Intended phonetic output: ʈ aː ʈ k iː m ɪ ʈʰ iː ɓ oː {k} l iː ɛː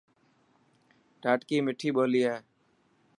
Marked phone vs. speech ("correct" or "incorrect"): incorrect